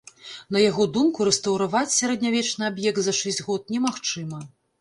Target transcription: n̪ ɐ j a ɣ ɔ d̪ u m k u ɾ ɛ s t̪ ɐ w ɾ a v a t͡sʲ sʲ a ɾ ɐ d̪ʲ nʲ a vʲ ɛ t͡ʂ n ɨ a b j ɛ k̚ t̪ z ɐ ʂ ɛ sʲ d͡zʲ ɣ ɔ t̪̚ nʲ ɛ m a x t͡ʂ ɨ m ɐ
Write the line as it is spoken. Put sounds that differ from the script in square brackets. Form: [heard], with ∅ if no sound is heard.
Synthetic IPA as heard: n̪ ɐ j a ɣ ɔ d̪ u m k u ɾ ɛ s t̪ ɐ w ɾ a v a t͡sʲ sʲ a ɾ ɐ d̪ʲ nʲ a vʲ ɛ t͡ʂ n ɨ a b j ɛ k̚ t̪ z ɐ ʂ ɛ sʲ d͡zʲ ɣ ɔ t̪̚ nʲ ɛ m a x t͡ʂ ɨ m ɐ